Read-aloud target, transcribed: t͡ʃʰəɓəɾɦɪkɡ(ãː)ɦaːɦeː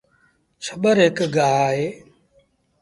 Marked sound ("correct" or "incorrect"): incorrect